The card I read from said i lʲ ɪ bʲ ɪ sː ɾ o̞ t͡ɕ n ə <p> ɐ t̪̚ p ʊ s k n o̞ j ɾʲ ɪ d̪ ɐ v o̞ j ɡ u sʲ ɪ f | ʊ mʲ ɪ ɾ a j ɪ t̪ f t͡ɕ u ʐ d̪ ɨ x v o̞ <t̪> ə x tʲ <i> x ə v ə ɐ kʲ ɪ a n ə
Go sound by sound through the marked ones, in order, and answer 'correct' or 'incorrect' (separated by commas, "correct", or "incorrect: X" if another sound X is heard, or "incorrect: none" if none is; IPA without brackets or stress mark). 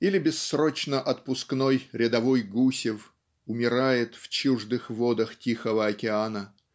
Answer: incorrect: ʔ, incorrect: d̪, correct